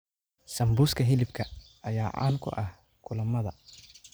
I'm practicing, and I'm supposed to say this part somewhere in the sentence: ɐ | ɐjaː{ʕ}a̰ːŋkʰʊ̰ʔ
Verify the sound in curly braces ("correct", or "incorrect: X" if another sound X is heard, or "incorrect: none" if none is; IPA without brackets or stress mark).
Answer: correct